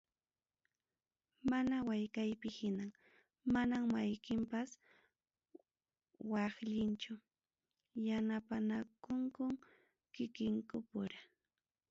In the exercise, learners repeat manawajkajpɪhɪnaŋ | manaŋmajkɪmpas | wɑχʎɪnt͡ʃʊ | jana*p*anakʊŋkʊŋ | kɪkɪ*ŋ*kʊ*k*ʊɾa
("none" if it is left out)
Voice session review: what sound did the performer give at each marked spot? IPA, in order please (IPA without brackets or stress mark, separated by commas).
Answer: p, ŋ, p